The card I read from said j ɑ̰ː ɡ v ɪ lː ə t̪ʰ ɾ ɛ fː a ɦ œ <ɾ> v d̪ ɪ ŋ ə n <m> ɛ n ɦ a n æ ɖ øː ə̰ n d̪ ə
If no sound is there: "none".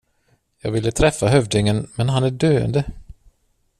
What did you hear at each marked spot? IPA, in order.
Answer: none, m

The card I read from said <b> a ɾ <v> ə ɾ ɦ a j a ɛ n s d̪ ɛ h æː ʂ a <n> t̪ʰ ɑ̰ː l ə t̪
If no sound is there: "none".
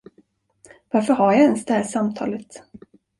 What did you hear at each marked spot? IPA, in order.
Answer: v, f, m

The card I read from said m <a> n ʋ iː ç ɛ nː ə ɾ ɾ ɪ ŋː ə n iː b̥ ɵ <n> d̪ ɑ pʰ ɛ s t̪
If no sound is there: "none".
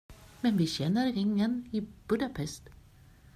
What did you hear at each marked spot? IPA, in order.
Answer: ɛ, none

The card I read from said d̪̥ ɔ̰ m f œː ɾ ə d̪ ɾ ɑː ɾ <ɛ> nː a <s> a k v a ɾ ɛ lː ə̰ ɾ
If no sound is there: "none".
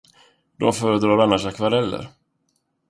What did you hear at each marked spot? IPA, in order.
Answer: a, ʂ

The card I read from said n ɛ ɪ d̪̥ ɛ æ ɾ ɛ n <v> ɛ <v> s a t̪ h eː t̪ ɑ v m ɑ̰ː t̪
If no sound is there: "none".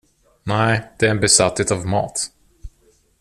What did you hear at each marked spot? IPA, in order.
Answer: b, none

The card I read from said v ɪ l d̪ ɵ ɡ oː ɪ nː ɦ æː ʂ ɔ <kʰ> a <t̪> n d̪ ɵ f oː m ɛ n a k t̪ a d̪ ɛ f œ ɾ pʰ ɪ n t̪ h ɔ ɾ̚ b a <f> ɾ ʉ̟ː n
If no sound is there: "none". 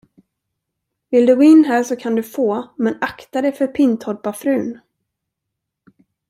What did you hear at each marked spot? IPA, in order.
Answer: kʰ, none, f

